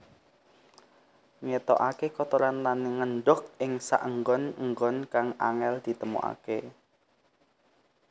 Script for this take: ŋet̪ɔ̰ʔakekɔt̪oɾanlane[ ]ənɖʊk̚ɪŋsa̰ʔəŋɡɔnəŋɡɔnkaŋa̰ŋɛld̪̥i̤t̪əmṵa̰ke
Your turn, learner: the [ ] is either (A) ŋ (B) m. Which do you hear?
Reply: A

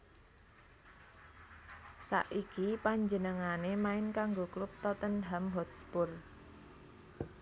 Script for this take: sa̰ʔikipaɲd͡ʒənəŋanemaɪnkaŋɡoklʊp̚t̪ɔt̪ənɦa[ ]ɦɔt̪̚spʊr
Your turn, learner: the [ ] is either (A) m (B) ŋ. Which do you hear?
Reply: A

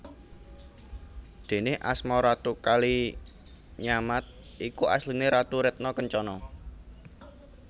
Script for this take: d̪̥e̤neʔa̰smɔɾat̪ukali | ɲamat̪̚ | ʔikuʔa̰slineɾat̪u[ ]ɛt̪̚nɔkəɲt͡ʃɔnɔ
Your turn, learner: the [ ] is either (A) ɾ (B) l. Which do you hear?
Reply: A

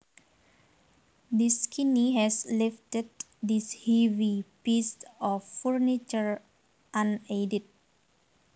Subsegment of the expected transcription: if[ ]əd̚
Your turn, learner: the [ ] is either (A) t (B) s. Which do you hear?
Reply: A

